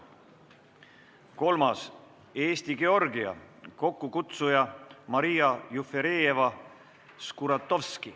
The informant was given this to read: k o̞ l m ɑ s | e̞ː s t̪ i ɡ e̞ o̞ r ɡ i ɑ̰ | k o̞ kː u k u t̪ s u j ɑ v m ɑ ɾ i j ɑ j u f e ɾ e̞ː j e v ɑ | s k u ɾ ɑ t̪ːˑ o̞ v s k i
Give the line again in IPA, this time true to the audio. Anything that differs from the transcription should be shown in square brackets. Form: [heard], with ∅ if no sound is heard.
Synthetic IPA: k o̞ l m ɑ s | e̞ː s t̪ i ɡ e̞ o̞ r ɡ i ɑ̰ | k o̞ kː u k u t̪ s u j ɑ [∅] m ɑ ɾ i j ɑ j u f e ɾ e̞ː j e v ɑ | s k u ɾ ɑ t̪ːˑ o̞ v s k i